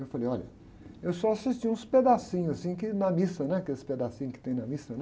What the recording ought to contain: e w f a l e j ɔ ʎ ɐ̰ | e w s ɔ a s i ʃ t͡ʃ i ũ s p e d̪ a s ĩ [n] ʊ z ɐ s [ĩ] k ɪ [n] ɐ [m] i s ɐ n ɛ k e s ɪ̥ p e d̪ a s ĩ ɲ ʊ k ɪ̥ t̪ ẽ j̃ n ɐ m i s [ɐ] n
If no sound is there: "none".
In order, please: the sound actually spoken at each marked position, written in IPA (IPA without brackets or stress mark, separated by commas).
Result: ɲ, ĩ, n, m, ɐ